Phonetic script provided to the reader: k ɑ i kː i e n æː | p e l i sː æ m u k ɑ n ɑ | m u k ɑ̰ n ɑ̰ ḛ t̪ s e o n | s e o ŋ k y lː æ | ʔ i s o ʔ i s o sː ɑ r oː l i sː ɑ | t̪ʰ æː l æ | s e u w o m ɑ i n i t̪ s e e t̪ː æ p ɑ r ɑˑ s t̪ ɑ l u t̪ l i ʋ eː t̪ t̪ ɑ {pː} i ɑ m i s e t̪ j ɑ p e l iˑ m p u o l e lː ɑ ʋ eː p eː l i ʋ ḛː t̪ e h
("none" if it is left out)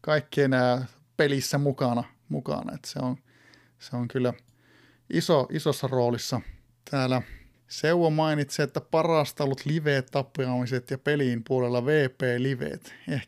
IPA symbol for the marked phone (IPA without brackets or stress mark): pː